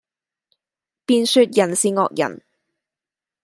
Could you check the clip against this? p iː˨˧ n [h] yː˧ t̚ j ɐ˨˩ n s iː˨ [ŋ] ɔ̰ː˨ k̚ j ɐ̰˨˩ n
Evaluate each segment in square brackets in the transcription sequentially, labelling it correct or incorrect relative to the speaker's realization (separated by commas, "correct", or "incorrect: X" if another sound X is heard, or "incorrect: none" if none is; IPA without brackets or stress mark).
incorrect: s, correct